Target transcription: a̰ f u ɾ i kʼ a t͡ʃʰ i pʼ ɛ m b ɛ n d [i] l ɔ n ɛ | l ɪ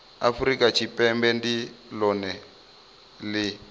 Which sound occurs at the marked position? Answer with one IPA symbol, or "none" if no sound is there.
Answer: i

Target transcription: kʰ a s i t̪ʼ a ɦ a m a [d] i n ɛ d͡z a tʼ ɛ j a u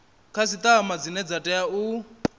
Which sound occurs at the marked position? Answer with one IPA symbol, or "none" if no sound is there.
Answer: d͡z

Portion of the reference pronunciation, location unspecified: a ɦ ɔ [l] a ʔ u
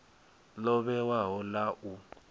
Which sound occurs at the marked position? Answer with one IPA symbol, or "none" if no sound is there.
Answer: l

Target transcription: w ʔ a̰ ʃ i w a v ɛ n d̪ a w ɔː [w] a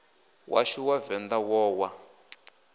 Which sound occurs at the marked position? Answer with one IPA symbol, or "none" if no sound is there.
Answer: w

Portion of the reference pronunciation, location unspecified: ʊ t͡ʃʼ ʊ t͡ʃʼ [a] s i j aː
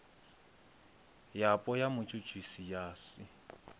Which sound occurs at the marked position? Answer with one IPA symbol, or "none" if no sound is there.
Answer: i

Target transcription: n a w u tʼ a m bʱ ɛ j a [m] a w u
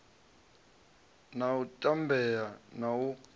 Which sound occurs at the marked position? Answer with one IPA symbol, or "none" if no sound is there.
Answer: n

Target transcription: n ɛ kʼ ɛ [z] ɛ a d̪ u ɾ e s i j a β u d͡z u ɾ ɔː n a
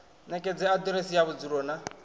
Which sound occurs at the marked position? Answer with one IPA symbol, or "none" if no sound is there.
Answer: d͡z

